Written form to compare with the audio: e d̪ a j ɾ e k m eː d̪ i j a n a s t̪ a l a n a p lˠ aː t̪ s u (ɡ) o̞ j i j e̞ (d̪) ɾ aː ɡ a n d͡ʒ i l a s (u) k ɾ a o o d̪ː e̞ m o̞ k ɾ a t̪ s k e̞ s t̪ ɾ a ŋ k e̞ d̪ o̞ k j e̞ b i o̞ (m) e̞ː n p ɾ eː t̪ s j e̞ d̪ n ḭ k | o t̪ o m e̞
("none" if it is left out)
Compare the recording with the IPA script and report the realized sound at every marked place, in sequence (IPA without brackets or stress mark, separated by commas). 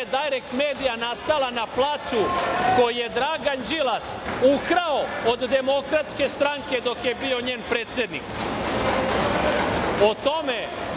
k, d̪, u, ɲ